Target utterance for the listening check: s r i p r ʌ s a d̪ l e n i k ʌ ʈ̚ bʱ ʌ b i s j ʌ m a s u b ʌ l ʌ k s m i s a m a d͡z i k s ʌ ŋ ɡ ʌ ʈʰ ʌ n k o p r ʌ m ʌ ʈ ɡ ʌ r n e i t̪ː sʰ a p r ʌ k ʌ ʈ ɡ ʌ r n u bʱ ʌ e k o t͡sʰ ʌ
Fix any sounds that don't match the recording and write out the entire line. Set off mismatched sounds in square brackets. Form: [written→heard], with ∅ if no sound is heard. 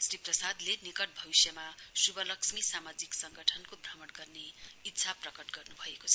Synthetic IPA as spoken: s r i p r ʌ s a d̪ l e n i k ʌ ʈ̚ bʱ ʌ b i s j ʌ m a s u b ʌ l ʌ k s m i s a m a d͡z i k s ʌ ŋ ɡ ʌ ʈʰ ʌ n k o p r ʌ m ʌ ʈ ɡ ʌ r n e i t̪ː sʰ a p r ʌ k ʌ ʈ ɡ ʌ r n u bʱ ʌ e k o t͡sʰ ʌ